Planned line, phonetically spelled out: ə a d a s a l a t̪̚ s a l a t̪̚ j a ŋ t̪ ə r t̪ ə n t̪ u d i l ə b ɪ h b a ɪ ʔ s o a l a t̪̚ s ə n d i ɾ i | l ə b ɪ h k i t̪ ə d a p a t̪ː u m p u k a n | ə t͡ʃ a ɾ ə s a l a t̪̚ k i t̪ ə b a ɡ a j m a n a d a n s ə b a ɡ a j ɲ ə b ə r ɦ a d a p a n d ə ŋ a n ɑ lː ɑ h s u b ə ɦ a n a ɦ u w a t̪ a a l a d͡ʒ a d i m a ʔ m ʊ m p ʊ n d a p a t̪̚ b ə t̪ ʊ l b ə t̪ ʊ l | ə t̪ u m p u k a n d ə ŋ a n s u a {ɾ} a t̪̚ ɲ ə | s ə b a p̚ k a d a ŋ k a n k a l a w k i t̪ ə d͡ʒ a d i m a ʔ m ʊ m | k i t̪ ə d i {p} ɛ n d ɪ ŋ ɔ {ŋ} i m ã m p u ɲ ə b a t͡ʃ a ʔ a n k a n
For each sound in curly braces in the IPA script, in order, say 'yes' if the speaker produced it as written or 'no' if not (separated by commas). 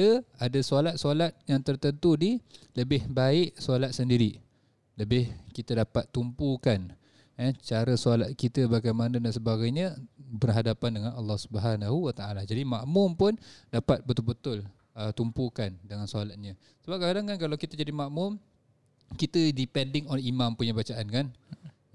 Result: no, yes, no